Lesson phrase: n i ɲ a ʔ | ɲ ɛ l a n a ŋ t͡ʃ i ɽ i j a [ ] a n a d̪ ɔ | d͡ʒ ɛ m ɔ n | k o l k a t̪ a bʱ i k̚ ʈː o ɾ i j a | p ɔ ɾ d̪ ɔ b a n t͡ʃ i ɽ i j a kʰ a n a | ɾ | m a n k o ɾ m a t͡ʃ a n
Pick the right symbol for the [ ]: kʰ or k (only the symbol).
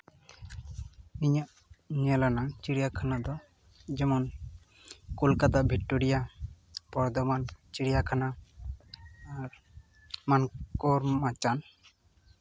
kʰ